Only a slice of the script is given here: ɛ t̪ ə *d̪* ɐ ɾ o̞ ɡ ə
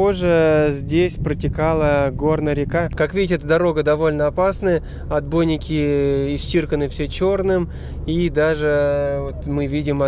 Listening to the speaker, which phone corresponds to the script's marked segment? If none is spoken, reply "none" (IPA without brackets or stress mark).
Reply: d̪